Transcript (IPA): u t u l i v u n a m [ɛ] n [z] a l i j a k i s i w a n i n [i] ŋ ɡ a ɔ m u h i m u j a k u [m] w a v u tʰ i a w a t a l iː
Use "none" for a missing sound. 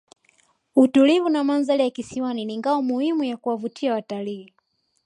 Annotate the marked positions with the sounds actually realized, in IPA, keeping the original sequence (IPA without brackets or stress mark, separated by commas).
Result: a, z, i, none